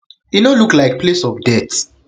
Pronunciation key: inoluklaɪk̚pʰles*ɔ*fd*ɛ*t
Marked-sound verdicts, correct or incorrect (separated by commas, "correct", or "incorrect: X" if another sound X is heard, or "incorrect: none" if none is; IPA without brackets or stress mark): correct, correct